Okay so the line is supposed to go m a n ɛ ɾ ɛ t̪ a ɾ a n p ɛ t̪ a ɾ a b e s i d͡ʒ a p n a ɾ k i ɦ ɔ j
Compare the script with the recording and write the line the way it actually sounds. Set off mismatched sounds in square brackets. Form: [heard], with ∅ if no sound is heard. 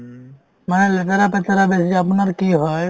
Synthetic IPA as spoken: m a n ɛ [l] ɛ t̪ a ɾ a [∅] p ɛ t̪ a ɾ a b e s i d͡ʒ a p n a ɾ k i ɦ ɔ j